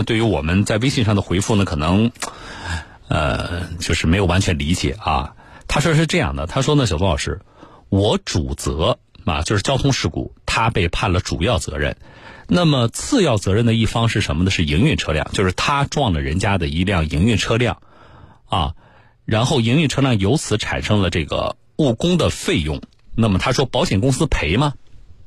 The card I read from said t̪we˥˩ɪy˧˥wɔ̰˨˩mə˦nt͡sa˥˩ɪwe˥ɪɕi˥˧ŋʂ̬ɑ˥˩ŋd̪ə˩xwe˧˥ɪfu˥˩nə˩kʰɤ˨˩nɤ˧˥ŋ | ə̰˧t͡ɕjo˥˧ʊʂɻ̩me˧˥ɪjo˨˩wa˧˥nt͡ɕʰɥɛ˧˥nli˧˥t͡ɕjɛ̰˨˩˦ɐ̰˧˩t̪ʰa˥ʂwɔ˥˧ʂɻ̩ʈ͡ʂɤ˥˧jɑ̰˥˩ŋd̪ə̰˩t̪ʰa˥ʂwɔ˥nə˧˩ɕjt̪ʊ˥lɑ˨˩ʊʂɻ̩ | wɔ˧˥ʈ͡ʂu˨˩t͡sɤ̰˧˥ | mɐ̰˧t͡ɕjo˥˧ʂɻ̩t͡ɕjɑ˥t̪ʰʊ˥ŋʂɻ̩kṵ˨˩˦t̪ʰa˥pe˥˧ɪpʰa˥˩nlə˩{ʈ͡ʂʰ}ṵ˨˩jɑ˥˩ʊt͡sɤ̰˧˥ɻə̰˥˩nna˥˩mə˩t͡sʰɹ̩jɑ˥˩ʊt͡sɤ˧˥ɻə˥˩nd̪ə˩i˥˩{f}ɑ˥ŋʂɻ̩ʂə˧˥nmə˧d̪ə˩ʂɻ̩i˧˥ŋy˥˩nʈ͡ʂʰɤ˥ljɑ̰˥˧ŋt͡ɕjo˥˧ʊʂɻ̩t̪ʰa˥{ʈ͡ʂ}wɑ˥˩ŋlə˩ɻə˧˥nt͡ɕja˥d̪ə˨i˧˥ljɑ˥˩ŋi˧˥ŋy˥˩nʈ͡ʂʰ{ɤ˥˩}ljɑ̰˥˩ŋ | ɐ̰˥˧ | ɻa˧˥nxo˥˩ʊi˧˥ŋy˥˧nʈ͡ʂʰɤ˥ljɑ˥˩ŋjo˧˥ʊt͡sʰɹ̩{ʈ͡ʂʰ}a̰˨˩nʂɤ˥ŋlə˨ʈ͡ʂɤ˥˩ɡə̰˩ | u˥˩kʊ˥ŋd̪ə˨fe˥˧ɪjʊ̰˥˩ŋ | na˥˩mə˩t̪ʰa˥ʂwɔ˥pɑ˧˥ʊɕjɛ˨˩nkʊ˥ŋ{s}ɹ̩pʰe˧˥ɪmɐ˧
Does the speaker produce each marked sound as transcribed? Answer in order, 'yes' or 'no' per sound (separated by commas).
no, yes, yes, no, yes, yes